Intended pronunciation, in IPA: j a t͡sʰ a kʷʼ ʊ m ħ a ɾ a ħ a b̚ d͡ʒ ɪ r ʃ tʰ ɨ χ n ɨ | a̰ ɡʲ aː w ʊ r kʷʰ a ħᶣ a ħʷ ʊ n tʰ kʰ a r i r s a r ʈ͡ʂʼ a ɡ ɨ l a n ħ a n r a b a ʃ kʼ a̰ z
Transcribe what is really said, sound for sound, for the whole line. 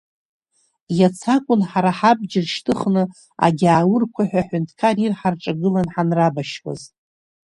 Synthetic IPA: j a t͡sʰ a kʷʼ ʊ n ħ a ɾ a ħ a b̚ d͡ʒ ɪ r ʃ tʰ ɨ χ n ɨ | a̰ ɡʲ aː w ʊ r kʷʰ a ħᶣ a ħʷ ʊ n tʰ kʰ a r i r ħ a r ʈ͡ʂʼ a ɡ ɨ l a n ħ a n r a b a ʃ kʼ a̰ z